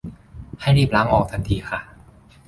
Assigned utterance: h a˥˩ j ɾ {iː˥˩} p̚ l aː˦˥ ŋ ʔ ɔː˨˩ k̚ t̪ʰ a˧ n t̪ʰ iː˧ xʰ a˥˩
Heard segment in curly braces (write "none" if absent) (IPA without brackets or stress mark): iː˥˩